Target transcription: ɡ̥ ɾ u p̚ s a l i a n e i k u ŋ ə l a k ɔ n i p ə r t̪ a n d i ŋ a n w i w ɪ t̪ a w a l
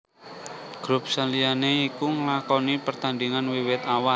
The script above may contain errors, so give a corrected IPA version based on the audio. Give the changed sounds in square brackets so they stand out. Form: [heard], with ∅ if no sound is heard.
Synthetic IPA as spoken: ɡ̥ ɾ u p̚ s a l i a n e i k u ŋ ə l a k ɔ n i p ə r t̪ a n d i ŋ a n w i w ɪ t̪ a w a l